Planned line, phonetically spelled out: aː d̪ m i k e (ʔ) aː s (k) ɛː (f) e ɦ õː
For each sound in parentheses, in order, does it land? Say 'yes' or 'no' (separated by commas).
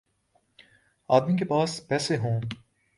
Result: no, no, no